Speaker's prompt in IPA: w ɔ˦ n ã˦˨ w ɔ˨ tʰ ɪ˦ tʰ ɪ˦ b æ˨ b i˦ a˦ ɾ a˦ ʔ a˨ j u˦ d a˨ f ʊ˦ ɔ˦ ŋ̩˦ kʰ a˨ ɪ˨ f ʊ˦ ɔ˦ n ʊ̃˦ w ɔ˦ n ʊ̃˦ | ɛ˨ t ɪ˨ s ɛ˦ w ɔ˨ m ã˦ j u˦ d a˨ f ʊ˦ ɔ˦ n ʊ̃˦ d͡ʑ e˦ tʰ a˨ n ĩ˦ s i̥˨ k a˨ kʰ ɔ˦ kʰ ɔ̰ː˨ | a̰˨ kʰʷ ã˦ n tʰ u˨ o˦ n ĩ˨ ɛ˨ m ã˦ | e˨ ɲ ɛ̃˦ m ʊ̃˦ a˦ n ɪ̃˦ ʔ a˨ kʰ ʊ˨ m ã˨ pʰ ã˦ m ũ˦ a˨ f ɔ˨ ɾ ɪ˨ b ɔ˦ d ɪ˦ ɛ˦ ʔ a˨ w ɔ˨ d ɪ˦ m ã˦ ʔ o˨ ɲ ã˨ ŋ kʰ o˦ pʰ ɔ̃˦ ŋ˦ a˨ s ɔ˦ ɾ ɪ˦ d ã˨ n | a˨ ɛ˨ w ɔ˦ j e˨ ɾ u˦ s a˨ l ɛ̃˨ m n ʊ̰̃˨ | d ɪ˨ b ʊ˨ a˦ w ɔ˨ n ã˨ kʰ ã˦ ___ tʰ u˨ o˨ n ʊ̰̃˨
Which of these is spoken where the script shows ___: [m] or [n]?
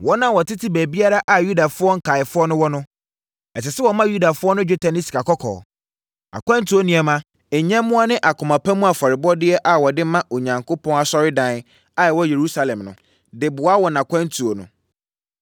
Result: n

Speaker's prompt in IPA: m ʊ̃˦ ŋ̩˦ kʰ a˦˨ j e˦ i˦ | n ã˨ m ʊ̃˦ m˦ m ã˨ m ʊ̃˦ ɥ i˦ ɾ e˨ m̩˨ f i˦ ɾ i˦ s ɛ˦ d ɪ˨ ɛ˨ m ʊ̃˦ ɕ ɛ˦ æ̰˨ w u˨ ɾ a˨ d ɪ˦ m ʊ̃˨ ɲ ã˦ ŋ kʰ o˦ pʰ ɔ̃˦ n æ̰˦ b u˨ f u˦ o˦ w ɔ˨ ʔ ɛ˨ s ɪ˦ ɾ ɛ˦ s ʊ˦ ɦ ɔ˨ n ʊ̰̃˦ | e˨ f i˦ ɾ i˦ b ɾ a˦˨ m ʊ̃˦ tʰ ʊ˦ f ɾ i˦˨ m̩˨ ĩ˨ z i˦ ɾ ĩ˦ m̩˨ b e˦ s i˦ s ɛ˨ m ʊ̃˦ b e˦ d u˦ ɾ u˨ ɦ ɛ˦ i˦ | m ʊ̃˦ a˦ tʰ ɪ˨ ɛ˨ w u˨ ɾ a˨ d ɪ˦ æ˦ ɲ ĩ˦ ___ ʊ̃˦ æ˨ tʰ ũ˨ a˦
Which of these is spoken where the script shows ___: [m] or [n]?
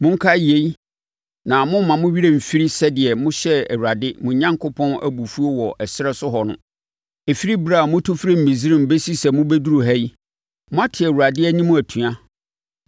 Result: m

